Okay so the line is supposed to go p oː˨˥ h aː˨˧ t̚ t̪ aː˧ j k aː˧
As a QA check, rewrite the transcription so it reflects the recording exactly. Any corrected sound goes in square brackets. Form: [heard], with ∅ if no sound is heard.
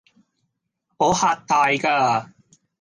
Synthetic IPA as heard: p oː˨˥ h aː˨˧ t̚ t̪ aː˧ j k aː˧

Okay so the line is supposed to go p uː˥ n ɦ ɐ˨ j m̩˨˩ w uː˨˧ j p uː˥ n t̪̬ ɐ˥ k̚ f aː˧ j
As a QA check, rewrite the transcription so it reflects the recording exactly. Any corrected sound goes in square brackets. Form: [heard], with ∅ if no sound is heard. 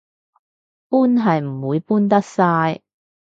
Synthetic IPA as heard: p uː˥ n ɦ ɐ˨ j m̩˨˩ w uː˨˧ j p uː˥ n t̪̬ ɐ˥ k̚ [s] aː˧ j

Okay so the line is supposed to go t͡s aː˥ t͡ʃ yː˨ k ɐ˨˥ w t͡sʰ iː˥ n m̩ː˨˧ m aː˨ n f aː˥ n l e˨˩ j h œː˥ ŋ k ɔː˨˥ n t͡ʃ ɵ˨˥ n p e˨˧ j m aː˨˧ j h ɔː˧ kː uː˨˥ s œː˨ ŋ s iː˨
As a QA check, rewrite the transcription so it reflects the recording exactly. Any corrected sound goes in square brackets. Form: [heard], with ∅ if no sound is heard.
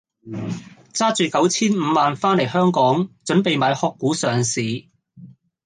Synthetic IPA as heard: t͡s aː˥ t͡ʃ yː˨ k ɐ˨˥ w t͡sʰ iː˥ n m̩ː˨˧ m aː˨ n f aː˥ n l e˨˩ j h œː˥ ŋ k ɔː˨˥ [ŋ] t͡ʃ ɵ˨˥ n p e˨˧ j m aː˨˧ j h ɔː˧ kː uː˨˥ s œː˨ ŋ s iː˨

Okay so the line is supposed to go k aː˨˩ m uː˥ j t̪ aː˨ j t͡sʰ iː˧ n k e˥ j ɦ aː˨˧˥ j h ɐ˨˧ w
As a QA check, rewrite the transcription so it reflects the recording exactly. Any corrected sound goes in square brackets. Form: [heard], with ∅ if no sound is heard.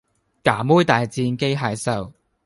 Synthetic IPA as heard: k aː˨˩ m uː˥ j t̪ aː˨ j [t͡s] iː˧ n k e˥ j ɦ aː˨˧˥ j [s] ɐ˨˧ w

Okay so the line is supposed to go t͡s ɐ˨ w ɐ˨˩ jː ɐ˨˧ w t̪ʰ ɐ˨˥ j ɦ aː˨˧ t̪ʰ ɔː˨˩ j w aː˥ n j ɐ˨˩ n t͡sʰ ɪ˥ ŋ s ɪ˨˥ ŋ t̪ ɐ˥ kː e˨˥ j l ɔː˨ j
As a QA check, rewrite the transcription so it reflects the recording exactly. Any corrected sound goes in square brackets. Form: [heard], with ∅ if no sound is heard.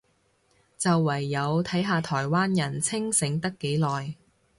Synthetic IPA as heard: t͡s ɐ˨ [wː] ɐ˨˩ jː ɐ˨˧ w t̪ʰ ɐ˨˥ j ɦ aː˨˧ t̪ʰ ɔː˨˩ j w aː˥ n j ɐ˨˩ n t͡sʰ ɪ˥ ŋ s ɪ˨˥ ŋ t̪ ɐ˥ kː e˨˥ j l ɔː˨ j

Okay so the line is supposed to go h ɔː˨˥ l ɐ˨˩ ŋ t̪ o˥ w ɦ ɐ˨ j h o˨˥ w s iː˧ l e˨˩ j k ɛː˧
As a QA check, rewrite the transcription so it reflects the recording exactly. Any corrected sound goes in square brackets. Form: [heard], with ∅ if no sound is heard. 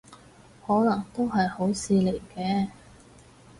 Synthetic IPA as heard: h ɔː˨˥ l ɐ˨˩ ŋ t̪ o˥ w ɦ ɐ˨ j h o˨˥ w s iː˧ l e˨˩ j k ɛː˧

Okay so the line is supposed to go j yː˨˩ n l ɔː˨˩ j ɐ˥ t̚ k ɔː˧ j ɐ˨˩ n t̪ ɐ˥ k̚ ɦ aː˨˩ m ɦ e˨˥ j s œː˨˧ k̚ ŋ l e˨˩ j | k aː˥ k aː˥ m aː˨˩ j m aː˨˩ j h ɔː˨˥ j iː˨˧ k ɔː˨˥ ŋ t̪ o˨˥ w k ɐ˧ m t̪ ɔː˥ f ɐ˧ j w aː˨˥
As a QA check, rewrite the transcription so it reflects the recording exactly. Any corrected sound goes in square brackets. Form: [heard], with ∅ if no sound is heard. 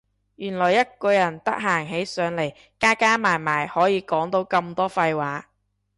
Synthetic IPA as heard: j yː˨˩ n l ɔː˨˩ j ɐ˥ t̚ k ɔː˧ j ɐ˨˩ n t̪ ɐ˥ k̚ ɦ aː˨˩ [ŋ] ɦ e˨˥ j s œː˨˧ [∅] ŋ l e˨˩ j | k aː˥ k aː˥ m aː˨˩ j m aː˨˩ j h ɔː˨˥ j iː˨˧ k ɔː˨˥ ŋ t̪ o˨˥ w k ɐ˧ m t̪ ɔː˥ f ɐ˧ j w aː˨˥

